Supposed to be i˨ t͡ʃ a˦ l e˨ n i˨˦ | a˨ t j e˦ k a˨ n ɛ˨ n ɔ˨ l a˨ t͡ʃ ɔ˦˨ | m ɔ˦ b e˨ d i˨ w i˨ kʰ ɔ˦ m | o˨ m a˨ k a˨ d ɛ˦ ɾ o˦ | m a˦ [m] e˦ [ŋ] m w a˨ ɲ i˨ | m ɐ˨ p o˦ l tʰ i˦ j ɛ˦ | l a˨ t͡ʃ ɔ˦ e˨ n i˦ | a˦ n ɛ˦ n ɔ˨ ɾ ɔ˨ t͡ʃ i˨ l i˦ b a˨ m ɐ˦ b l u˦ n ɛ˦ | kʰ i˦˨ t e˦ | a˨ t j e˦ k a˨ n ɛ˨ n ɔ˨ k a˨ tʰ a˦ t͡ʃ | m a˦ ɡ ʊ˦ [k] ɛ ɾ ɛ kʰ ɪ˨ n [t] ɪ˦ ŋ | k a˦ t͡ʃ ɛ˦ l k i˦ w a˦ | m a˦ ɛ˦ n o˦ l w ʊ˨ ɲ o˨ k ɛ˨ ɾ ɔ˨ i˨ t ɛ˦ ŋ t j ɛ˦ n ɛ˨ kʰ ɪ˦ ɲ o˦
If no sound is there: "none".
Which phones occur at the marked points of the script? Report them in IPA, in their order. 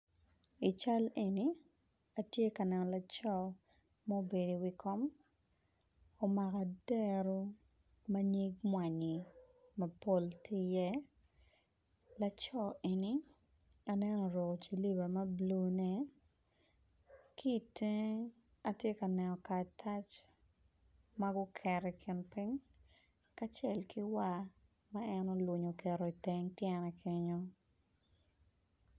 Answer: ɲ, ɡ, kʰ, p

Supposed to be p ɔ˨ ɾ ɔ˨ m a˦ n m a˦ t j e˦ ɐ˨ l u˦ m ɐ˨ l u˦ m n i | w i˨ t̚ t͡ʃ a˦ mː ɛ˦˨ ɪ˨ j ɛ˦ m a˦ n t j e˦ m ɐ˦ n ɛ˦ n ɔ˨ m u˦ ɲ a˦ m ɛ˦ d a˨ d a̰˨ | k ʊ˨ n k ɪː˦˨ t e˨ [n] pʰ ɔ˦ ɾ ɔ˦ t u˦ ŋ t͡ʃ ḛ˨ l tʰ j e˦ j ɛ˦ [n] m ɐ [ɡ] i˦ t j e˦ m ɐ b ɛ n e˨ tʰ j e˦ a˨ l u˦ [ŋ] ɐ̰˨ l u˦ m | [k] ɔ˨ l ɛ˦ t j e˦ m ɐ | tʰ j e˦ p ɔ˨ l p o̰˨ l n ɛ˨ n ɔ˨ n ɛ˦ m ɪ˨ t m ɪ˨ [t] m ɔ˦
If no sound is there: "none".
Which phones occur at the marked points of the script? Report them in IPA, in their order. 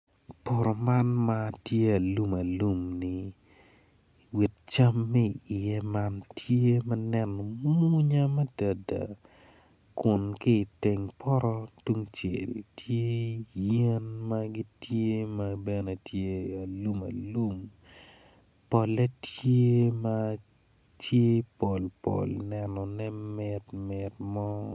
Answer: ŋ, n, ɡ, m, p, t

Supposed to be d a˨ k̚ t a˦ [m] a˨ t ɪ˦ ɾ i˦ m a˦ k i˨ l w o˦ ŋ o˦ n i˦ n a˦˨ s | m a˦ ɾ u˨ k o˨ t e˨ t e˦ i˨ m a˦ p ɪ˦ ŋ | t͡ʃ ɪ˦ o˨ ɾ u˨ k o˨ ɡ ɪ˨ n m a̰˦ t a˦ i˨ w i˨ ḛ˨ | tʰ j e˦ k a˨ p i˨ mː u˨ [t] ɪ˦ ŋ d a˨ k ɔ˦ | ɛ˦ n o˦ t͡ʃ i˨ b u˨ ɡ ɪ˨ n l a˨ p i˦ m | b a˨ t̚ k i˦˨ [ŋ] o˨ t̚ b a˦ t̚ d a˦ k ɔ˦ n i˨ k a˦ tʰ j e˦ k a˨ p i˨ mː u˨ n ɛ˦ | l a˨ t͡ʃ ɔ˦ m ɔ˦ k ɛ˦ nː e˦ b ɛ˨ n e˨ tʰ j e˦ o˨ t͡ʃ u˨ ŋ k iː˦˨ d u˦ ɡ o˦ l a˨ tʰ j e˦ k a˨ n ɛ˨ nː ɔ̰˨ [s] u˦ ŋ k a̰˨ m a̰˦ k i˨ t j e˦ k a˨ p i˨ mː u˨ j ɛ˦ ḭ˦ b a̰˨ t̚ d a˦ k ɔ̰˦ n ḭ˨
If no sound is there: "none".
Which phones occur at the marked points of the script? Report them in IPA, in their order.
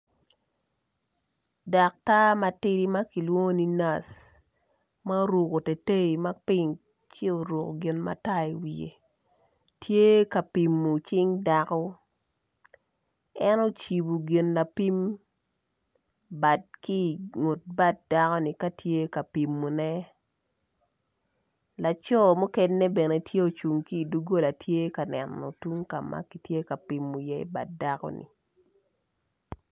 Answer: m, t͡ʃ, ŋ, t

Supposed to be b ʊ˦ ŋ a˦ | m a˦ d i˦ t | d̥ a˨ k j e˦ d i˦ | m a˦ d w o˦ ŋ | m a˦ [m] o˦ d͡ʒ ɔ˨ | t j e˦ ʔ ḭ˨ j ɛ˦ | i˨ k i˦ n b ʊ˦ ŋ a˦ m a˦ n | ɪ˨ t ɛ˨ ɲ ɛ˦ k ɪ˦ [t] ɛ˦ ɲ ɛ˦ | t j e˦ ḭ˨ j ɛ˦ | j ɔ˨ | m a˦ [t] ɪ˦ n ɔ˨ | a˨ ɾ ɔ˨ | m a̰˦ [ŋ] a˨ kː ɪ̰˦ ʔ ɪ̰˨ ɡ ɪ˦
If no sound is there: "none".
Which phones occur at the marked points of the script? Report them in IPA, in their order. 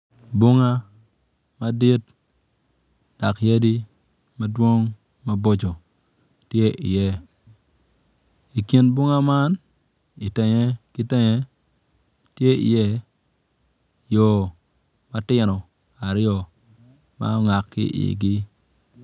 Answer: b, t, t, ŋ

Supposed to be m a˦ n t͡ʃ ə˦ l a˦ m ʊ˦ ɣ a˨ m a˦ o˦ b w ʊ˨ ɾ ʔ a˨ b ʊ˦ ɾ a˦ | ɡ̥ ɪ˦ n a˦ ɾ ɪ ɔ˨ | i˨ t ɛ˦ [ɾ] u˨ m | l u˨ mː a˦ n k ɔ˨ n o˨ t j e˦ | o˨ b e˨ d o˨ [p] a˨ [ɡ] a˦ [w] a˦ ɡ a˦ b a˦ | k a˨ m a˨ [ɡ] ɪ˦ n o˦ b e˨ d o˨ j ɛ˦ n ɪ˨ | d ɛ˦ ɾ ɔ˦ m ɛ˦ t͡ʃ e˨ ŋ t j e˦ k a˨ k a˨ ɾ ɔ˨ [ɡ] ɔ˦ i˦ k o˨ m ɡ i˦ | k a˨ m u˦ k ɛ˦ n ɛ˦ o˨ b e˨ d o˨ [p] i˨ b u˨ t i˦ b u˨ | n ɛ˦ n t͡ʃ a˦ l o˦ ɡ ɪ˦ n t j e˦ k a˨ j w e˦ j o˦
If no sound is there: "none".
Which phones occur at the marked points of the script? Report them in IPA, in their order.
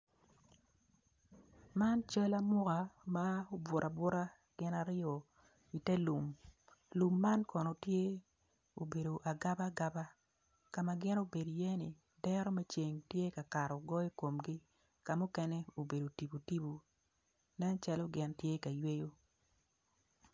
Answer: l, ʔ, ɡ, b, ɡ, ɡ, t

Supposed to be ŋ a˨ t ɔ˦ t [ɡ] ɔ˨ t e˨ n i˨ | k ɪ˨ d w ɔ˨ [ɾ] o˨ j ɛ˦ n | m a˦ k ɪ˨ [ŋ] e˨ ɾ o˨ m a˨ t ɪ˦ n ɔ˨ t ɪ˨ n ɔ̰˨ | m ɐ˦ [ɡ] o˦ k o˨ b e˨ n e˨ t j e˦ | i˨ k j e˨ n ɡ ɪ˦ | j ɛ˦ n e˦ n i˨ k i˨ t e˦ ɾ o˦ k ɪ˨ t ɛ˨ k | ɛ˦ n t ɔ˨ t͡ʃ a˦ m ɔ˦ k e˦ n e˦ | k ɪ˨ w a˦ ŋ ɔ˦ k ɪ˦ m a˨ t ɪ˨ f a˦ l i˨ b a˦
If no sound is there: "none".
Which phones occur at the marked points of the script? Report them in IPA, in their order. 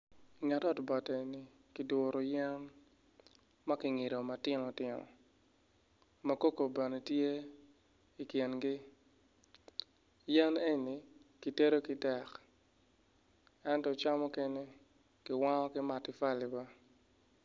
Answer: b, ɾ, ŋ, k

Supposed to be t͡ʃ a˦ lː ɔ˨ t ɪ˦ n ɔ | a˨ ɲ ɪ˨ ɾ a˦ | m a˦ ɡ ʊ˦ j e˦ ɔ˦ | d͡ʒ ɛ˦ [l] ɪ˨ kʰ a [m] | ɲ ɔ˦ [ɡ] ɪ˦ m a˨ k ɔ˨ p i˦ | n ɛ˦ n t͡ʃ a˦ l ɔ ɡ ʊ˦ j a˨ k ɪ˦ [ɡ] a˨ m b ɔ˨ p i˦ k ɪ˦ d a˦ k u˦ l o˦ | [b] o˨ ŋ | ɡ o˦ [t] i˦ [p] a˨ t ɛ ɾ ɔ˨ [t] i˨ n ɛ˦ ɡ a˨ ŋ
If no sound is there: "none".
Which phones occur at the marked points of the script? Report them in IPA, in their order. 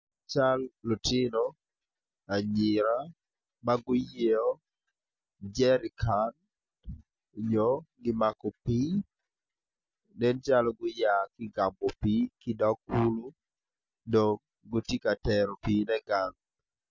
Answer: ɾ, n, ɡ, ɡ, d, t, k, p

